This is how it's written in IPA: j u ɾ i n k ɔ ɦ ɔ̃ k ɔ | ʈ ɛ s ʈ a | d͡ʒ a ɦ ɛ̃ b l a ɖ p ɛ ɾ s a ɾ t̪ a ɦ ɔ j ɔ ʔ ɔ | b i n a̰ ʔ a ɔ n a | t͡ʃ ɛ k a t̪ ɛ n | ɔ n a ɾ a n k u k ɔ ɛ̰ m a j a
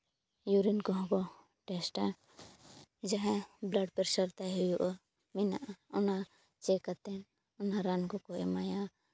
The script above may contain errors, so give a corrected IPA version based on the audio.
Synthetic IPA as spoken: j u ɾ i n k ɔ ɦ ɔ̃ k ɔ | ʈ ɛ s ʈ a | d͡ʒ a ɦ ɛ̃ b l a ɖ p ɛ ɾ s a ɾ t̪ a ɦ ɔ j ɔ ʔ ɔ | m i n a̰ ʔ a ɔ n a | t͡ʃ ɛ k a t̪ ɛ n | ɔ n a ɾ a n k ɔ k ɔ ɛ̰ m a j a